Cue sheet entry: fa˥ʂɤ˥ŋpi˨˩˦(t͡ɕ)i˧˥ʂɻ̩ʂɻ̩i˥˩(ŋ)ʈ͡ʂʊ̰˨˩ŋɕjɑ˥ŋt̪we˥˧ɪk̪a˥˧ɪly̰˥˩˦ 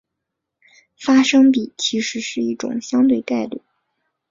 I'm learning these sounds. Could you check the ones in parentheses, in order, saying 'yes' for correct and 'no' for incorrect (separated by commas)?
no, no